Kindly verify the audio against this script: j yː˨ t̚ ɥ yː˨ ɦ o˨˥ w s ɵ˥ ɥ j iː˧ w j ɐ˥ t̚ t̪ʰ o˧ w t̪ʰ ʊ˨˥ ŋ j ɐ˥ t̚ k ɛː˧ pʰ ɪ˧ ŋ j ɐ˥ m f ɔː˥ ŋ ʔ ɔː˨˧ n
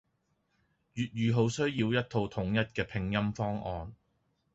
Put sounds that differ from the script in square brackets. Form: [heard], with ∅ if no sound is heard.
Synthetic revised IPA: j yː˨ t̚ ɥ yː˨ ɦ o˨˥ w s ɵ˥ ɥ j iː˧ w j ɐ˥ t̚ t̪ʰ o˧ w t̪ʰ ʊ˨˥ ŋ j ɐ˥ t̚ k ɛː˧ pʰ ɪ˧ ŋ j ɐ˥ m f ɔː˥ ŋ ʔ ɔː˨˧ n